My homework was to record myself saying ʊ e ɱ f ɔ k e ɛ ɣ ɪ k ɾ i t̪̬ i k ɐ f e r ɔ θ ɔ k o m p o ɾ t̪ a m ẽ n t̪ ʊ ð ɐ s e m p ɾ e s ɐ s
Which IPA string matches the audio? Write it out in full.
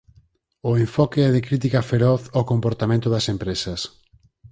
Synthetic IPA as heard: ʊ e ɱ f ɔ k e ɛ ð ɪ k ɾ i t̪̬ i k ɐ f e ɾ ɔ θ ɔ k o m p o ɾ t̪ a m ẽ n t̪ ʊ ð ɐ s e m p ɾ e s ɐ s